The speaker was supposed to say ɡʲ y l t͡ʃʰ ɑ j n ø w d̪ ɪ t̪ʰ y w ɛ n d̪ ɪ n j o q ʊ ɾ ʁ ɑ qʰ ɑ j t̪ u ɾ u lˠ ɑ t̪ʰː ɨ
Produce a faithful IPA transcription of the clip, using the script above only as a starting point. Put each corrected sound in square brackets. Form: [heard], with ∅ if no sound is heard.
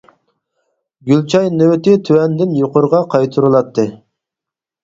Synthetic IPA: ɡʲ y l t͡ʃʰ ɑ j n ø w [t̪] ɪ t̪ʰ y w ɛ n d̪ ɪ n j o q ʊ ɾ ʁ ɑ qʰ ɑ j [t̪ʰ] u ɾ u lˠ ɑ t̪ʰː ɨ